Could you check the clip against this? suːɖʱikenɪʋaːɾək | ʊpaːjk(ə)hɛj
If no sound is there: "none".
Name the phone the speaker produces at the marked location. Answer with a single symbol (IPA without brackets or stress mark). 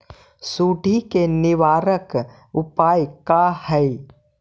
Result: a